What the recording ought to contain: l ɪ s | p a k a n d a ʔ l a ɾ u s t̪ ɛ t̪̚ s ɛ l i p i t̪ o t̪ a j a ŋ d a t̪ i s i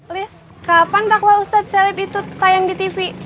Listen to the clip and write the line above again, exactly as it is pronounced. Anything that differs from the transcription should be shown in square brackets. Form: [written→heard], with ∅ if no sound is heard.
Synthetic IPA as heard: l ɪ s | [p→k] a [k→p] a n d a [ʔ→k] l a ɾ u s t̪ [ɛ→a] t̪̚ s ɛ l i p i t̪ [o→u] t̪ a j a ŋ d [a→i] t̪ i [s→f] i